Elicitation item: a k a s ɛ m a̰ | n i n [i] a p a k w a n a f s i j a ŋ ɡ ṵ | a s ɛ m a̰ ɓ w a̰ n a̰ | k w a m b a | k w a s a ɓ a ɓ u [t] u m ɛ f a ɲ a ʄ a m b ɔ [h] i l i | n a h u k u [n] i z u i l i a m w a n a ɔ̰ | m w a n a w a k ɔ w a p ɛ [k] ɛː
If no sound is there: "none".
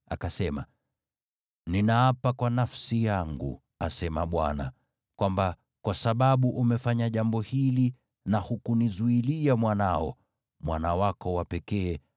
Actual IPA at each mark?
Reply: a, ʔ, h, n, k

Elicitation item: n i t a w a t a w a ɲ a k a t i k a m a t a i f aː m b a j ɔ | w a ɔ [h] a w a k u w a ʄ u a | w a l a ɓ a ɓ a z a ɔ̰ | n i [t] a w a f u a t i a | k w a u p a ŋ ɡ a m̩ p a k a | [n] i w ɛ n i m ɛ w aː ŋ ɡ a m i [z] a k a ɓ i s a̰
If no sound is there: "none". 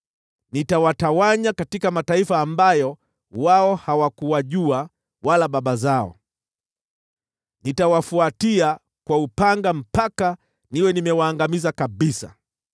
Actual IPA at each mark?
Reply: h, t, n, z

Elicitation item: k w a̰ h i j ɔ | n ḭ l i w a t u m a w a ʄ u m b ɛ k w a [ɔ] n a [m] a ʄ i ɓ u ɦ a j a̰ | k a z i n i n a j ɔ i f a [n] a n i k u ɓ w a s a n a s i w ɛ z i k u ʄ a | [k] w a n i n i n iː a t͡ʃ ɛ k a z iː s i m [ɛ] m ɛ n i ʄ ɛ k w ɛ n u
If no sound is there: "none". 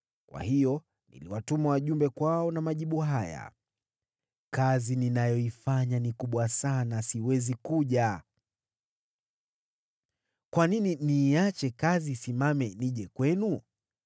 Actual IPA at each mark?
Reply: ɔ, m, ɲ, k, a

